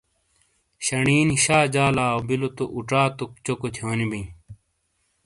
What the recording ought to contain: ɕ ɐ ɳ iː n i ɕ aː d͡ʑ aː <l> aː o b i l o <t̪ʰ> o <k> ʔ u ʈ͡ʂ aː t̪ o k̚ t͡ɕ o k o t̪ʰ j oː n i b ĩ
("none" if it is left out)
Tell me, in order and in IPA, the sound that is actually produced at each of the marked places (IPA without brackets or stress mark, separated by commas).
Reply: l, t̪, none